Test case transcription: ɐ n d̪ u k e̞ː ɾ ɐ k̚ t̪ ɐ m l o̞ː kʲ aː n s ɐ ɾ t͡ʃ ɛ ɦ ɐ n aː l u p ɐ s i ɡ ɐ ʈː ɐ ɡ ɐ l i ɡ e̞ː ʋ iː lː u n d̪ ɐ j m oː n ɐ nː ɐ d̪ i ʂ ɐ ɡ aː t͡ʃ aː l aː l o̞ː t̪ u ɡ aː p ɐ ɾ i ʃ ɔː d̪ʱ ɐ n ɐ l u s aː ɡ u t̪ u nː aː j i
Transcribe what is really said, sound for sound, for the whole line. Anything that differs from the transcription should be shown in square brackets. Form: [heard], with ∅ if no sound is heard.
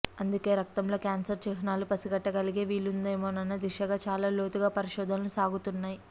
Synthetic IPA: ɐ n d̪ u k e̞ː ɾ ɐ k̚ t̪ ɐ m l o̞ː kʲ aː n s ɐ ɾ t͡ʃ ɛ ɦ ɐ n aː l u p ɐ s i ɡ ɐ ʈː ɐ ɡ ɐ l i ɡ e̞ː ʋ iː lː u n d̪ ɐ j m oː n ɐ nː ɐ d̪ i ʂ ɐ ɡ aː t͡ʃ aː l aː l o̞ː t̪ u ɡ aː p ɐ ɾ i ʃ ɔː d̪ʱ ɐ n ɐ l u s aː ɡ u t̪ u nː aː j i

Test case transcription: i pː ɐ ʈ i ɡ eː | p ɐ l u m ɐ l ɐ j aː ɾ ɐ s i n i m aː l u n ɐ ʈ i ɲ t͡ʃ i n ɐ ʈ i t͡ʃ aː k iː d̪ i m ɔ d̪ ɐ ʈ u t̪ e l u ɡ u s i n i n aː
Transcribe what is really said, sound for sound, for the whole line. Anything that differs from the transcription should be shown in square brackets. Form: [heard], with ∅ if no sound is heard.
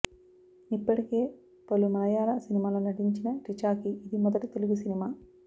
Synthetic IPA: i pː ɐ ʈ i [k] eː | p ɐ l u m ɐ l ɐ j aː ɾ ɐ s i n i m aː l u n ɐ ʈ i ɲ t͡ʃ i n ɐ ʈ i t͡ʃ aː k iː d̪ i m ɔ d̪ ɐ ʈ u t̪ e l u ɡ u s i n i [m] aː

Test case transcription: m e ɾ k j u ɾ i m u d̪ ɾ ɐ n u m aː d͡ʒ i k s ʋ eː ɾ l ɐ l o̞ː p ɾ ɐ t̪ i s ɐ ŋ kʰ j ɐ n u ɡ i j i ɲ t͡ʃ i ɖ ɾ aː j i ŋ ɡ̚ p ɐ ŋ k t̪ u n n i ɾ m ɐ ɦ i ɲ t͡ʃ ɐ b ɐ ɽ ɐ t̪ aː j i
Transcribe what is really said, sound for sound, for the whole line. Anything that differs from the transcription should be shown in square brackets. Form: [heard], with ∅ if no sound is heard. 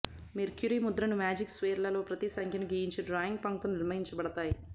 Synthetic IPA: m e ɾ k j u ɾ i m u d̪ ɾ ɐ n u m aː d͡ʒ i k s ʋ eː ɾ l ɐ l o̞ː p ɾ ɐ t̪ i s ɐ ŋ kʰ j ɐ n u ɡ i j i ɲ t͡ʃ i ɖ ɾ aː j i ŋ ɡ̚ p ɐ ŋ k t̪ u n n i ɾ m ɐ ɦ i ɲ t͡ʃ ɐ b ɐ ɽ ɐ t̪ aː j i

